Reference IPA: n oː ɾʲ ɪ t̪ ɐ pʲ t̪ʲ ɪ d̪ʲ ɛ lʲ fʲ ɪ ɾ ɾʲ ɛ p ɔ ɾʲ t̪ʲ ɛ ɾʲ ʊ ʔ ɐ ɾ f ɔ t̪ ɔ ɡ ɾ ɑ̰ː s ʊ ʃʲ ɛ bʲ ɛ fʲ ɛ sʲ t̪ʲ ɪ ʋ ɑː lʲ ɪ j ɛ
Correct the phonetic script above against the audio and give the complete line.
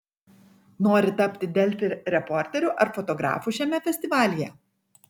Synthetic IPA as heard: n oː ɾʲ ɪ t̪ ɐ pʲ t̪ʲ ɪ d̪ʲ ɛ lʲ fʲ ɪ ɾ ɾʲ ɛ p ɔ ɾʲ t̪ʲ ɛ ɾʲ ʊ ʔ ɐ ɾ f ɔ t̪ ɔ ɡ ɾ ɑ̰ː f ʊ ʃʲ ɛ mʲ ɛ fʲ ɛ sʲ t̪ʲ ɪ ʋ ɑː lʲ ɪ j ɛ